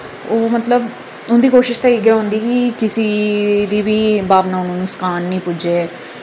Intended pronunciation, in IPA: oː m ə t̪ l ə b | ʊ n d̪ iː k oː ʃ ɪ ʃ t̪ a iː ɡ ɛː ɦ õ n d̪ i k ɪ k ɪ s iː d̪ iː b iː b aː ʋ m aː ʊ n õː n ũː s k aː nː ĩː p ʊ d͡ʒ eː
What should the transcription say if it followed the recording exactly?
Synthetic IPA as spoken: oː m ə t̪ l ə b | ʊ n d̪ iː k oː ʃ ɪ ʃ t̪ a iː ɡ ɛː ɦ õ n d̪ iː k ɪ k ɪ s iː d̪ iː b iː b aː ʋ n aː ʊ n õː n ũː s k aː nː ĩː p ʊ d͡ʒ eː